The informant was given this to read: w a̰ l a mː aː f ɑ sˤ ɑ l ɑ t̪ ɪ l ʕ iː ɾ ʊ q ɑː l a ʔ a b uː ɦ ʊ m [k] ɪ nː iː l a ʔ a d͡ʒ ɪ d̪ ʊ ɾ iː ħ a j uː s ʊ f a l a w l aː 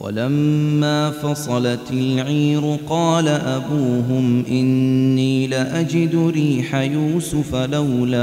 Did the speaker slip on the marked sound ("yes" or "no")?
yes